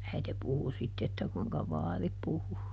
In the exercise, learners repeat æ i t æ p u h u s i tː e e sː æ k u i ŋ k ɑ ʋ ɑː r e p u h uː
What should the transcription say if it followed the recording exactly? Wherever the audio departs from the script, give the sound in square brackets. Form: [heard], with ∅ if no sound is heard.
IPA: æ i t [e] p u h u s i tː e e [tː] æ k u i ŋ k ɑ ʋ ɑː r [i] p u h [u]